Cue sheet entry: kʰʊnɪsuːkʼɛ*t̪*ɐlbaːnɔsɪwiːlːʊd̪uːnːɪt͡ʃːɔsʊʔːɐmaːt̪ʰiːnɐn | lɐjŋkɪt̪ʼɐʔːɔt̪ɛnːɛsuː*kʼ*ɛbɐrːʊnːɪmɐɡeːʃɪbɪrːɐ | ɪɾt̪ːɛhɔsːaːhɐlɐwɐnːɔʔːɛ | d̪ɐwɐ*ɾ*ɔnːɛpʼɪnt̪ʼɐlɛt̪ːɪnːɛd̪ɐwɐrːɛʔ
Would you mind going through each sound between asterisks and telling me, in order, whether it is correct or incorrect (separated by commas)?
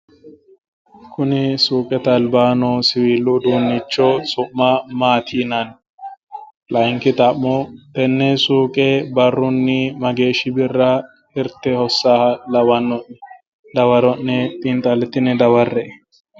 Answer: correct, correct, correct